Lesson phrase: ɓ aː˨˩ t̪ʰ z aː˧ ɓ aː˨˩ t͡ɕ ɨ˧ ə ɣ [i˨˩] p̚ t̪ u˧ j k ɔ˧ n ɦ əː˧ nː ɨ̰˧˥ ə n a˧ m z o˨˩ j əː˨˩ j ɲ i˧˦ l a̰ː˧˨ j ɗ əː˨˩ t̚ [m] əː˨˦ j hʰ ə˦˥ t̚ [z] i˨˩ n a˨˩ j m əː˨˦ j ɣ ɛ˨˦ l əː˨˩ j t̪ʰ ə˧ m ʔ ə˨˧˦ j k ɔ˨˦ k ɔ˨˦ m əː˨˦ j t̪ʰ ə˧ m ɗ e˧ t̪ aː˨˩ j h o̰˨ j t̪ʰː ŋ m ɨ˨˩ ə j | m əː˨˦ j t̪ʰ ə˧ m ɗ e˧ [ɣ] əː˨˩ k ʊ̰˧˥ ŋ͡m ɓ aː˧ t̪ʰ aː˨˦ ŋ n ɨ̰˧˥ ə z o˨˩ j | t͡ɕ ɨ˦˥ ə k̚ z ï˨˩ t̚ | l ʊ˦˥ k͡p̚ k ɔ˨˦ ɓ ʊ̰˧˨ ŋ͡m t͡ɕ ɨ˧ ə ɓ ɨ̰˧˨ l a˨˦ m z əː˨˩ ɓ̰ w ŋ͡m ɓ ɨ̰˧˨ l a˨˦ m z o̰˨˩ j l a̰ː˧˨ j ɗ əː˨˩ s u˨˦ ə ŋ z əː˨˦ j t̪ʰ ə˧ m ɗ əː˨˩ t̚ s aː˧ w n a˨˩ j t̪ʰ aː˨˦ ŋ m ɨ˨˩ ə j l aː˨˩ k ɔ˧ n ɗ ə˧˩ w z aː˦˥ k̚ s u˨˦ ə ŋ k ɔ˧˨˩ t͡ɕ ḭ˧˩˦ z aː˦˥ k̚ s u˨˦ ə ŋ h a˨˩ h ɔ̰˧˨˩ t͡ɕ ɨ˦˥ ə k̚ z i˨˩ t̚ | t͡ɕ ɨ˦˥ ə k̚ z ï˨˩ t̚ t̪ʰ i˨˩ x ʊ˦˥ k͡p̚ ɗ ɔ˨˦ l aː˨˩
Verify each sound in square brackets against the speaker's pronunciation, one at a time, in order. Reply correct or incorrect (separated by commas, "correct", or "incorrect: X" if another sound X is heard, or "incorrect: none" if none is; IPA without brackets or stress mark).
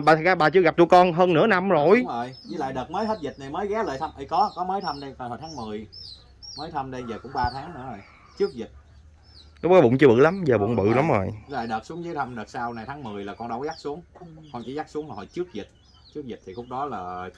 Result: incorrect: a˨˩, correct, correct, incorrect: z